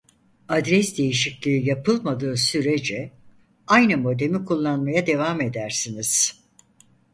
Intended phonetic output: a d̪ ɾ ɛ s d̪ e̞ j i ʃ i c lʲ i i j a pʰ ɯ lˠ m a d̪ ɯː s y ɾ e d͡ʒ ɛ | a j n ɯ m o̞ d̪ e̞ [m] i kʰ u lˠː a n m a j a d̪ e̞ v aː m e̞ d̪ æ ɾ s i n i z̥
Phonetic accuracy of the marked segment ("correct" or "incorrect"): correct